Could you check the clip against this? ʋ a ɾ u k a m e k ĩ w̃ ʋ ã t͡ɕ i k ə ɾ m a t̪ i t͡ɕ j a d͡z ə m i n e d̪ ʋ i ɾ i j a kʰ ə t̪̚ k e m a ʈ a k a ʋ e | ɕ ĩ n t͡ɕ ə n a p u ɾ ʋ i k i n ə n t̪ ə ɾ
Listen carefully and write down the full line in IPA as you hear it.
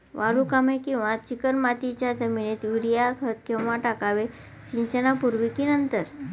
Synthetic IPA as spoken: ʋ a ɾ u k a m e k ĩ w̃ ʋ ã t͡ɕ i k ə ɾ m a t̪ i t͡ɕ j a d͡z ə m i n e t̪ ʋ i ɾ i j a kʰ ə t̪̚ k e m a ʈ a k a ʋ e | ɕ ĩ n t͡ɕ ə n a p u ɾ ʋ i k i n ə n t̪ ə ɾ